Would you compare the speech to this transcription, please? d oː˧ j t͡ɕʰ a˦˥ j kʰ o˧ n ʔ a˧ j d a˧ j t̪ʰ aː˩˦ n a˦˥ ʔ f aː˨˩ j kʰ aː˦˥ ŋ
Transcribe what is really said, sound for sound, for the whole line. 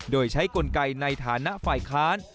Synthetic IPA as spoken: d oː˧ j t͡ɕʰ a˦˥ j k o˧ n k a˧ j n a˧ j t̪ʰ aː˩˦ n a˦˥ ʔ f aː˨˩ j kʰ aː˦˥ n

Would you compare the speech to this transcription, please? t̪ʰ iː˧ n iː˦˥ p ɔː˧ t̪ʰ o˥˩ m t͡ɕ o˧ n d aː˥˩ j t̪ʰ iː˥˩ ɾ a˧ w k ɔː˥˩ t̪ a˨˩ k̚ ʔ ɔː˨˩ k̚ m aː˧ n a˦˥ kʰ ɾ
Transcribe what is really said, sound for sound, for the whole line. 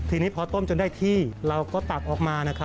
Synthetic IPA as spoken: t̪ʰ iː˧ n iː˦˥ pʰ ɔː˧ t̪ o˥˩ m t͡ɕ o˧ n d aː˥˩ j t̪ʰ iː˥˩ ɾ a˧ w k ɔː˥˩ t̪ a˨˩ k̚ ʔ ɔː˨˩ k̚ m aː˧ n a˦˥ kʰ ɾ

